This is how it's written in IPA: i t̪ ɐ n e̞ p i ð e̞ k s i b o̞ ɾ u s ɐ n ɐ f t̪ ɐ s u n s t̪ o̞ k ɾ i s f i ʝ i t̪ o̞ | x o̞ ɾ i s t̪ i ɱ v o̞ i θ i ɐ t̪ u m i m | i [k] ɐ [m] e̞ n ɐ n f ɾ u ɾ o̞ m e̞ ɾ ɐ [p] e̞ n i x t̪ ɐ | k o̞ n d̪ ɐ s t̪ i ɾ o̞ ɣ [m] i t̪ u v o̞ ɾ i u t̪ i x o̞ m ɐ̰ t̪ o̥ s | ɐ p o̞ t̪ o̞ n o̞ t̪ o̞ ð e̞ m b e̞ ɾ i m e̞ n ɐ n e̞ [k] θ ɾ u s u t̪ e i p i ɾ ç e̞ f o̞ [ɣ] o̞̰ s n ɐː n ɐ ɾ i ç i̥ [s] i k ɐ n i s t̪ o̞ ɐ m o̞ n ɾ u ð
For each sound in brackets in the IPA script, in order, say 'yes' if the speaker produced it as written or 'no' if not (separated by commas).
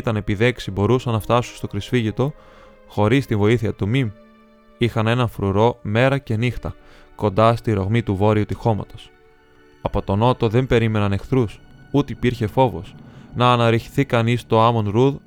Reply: no, no, no, yes, no, no, no